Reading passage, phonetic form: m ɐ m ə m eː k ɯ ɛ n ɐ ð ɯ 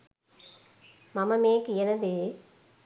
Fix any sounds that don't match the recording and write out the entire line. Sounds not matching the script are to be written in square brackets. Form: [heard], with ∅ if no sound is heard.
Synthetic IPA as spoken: m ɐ m [ɐ] m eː k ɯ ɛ n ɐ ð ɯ